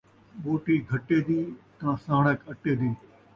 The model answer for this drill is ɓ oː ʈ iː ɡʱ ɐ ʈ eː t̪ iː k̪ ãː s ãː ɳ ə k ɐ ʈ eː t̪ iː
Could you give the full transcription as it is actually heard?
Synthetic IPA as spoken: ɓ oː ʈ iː ɡʱ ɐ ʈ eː d̪ iː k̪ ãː s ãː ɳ ə k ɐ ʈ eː d̪ iː